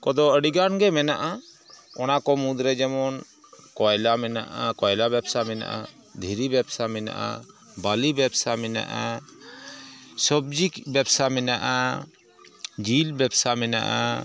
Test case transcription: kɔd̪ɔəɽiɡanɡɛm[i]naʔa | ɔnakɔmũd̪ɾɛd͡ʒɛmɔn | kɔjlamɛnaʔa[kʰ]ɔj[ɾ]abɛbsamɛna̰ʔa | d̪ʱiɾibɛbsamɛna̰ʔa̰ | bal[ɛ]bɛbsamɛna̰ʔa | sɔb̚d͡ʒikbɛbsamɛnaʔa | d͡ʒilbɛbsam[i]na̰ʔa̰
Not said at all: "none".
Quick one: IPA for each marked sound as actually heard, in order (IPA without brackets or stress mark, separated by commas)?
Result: ɛ, k, l, i, ɛ